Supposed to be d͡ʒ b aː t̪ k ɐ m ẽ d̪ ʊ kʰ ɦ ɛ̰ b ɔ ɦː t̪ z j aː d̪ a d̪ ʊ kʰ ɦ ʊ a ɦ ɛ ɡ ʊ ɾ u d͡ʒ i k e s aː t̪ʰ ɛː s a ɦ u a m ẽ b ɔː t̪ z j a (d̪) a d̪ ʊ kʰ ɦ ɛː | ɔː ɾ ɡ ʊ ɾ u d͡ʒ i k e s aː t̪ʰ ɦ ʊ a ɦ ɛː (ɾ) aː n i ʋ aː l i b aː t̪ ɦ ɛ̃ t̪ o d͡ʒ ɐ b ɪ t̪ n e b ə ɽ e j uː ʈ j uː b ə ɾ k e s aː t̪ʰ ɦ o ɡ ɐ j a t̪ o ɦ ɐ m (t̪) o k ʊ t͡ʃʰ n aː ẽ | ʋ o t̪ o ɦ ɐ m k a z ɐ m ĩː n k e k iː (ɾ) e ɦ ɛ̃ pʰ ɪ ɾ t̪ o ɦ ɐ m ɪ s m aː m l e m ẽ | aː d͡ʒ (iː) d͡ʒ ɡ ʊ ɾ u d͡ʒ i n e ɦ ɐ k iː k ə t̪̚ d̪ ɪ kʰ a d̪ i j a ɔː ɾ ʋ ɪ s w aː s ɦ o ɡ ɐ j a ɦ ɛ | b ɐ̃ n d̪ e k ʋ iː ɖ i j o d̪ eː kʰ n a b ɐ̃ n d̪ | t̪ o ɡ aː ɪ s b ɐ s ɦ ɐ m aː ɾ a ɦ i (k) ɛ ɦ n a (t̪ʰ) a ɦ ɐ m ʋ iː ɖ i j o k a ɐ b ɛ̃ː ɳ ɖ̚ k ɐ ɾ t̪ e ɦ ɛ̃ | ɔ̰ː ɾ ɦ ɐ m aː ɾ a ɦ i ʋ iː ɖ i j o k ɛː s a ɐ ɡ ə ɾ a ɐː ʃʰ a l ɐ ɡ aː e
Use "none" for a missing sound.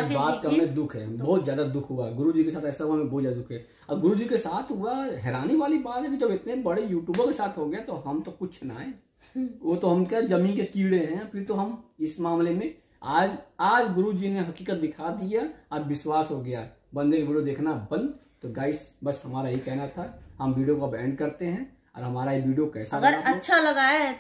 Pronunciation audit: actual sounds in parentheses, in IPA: d̪, ɾ, t̪, ɽ, aː, k, t̪ʰ

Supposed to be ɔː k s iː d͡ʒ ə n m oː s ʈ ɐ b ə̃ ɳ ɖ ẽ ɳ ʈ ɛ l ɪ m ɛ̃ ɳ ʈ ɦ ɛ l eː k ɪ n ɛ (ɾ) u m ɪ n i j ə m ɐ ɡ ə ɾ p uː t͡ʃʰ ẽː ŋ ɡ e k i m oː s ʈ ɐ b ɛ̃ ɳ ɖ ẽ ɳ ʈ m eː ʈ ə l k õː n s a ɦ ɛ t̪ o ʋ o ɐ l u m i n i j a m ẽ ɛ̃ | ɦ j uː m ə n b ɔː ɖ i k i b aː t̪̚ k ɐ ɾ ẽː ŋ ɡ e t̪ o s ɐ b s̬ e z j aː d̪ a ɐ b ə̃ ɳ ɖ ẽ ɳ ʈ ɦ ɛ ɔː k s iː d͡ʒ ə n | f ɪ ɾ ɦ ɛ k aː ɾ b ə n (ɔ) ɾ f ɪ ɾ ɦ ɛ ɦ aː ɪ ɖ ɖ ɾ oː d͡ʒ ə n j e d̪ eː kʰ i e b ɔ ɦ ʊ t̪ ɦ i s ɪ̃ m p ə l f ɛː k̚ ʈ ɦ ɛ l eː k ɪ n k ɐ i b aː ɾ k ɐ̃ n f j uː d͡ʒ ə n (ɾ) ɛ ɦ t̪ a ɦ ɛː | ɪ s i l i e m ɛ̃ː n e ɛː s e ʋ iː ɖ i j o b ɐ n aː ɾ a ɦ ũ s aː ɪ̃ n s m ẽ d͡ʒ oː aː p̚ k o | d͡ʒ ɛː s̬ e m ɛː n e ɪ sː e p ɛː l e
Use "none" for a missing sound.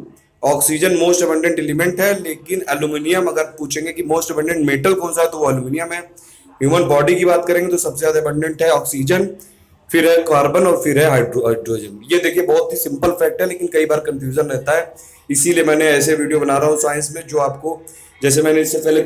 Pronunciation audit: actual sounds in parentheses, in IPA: l, ɔː, ɾ

